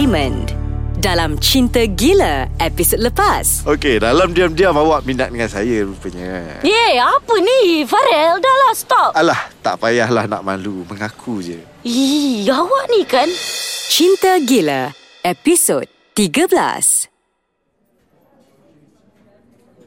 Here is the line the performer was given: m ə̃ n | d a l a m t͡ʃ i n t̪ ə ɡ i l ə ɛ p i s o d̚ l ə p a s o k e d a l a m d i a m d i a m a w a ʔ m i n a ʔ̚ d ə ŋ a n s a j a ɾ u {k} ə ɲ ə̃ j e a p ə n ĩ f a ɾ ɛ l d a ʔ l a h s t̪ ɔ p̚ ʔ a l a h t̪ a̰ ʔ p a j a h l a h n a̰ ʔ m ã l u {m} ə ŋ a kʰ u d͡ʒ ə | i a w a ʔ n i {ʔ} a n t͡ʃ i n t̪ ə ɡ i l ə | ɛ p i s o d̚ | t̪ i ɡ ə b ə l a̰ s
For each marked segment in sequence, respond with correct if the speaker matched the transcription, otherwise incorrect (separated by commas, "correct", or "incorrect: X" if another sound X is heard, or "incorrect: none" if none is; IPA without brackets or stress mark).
incorrect: p, correct, incorrect: k